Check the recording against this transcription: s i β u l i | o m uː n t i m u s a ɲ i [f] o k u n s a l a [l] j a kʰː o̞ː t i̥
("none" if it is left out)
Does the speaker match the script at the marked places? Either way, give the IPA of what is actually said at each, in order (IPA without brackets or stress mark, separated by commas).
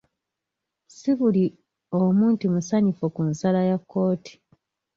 f, none